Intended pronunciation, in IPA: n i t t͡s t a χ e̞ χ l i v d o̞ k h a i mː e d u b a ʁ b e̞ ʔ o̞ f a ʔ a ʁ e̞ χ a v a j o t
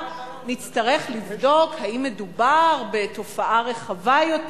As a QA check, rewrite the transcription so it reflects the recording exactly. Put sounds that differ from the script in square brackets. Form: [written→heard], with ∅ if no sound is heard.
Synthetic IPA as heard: n i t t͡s t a [χ→ʁ] e̞ χ l i v d o̞ k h a i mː e d u b a ʁ b e̞ [ʔ→t] o̞ f a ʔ a ʁ e̞ χ a v a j o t